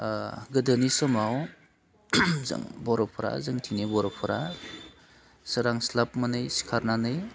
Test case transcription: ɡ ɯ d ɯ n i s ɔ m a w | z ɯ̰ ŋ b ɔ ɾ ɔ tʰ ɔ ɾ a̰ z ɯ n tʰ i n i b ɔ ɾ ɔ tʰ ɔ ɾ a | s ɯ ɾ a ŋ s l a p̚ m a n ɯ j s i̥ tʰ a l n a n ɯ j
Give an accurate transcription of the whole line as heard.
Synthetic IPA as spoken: ɡ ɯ d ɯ n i s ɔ m a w | z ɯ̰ ŋ b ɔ ɾ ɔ pʰ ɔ ɾ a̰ z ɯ ŋ tʰ i n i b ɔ ɾ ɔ pʰ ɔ ɾ a | s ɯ ɾ a ŋ s l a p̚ m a n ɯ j s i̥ kʰ a ɾ n a n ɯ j